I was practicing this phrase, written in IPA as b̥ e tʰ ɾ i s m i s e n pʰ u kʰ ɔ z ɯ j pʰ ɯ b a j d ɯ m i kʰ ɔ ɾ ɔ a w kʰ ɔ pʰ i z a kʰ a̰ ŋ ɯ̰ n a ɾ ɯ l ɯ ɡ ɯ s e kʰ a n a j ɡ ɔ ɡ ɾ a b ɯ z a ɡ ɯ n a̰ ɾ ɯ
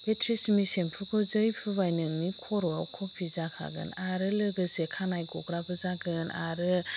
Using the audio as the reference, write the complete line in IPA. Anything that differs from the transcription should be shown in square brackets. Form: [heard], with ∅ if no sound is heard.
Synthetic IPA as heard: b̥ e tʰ ɾ i s m i s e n pʰ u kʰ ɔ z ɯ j pʰ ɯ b a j [n] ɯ m i kʰ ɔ ɾ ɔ a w kʰ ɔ pʰ i z a kʰ a̰ [ɡ] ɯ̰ n a ɾ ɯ l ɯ ɡ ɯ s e kʰ a n a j ɡ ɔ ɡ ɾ a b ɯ z a ɡ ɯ n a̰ ɾ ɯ

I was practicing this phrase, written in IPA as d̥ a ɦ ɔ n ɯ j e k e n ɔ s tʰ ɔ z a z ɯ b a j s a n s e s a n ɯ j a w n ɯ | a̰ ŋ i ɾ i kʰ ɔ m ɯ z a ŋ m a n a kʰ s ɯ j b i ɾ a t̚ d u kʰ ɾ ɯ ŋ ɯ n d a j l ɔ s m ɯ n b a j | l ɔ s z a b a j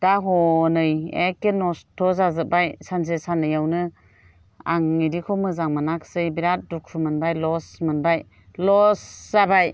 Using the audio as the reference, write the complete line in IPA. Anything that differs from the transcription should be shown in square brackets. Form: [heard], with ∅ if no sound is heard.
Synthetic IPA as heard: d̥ a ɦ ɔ n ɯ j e k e n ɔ s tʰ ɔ z a z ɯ b a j s a n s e s a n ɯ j a w n ɯ | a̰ ŋ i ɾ i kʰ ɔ m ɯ z a ŋ m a n a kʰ s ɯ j b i ɾ a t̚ d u kʰ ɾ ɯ [m] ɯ n [b] a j l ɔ s m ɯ n b a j | l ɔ s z a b a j

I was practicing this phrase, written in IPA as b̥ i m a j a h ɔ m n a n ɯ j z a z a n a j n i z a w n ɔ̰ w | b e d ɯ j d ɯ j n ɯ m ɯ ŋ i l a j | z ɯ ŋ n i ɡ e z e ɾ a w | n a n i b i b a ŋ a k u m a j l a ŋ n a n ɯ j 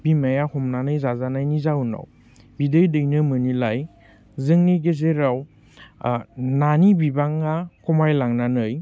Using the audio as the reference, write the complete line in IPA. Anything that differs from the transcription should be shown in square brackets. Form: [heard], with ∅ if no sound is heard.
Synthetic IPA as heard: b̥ i m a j a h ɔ m n a n ɯ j z a z a n a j n i z a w n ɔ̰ w | b [i] d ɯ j d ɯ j n ɯ m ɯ [n] i l a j | z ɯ ŋ n i ɡ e z e ɾ a w | n a n i b i b a ŋ a k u m a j l a ŋ n a n ɯ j

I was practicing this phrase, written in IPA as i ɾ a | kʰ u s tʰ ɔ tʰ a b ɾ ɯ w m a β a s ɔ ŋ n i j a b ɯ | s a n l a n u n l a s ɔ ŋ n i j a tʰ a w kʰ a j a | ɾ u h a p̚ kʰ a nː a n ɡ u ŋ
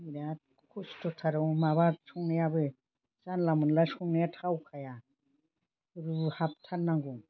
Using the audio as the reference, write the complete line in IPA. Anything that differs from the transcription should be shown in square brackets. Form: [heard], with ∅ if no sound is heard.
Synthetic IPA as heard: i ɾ a | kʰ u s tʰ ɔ tʰ a [∅] ɾ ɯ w m a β a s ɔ ŋ n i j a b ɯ | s a n l a [m] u n l a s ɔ ŋ n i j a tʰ a w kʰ a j a | ɾ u h a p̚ [tʰ] a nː a [ŋ] ɡ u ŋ

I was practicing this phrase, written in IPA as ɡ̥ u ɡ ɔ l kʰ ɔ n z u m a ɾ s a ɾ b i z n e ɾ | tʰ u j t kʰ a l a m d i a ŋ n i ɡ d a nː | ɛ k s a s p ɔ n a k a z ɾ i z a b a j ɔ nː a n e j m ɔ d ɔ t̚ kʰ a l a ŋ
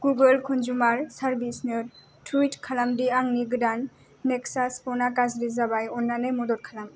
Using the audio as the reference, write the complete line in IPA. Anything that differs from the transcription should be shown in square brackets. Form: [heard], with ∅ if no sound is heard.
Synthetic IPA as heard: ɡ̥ u ɡ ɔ l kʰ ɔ n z u m a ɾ s a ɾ b i [s] n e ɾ | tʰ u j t kʰ a l a m d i a ŋ n i ɡ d a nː | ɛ k s a s p ɔ n a k a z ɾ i z a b a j ɔ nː a n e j m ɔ d ɔ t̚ kʰ a l a [m]

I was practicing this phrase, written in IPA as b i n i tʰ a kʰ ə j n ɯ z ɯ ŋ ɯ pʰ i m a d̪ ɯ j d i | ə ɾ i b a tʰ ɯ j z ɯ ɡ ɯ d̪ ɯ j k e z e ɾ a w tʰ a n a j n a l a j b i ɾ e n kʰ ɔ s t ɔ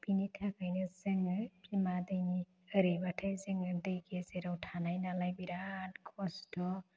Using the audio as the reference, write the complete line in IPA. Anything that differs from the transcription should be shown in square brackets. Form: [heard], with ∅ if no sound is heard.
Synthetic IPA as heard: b i n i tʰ a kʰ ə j n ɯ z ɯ ŋ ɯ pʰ i m a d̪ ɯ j [n] i | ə ɾ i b a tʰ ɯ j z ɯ [ŋ] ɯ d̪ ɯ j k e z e ɾ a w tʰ a n a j n a l a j b i ɾ [a] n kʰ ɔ s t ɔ

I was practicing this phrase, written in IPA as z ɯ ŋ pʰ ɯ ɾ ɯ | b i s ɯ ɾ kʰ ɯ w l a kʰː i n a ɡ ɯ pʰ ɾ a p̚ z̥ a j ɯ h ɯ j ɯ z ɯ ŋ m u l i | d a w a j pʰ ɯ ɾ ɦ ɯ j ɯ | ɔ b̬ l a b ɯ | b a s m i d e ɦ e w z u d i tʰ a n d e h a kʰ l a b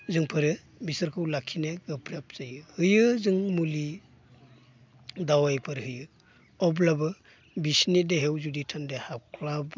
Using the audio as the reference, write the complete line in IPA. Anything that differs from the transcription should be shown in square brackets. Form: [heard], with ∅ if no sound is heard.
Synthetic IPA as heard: z ɯ ŋ pʰ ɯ ɾ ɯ | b i s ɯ ɾ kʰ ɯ w l a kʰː i n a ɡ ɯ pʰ ɾ a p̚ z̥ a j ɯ h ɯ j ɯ z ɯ ŋ m u l i | d a w a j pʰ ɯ ɾ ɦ ɯ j ɯ | ɔ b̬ l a b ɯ | b [i] s [n] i d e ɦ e w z u d i tʰ a n d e h a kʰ l a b

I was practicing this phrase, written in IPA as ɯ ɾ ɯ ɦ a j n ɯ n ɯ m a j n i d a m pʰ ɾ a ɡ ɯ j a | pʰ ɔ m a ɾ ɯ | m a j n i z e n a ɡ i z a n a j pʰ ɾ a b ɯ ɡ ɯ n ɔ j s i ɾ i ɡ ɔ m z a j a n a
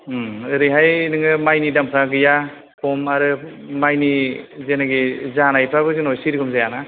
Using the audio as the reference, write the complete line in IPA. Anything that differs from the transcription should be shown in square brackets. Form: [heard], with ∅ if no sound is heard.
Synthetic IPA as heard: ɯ ɾ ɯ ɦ a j n ɯ [ŋ] ɯ m a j n i d a m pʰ ɾ a ɡ ɯ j a | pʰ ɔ m a ɾ ɯ | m a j n i z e n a ɡ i z a n a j pʰ ɾ a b ɯ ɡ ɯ n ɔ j s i ɾ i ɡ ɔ m z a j a n a

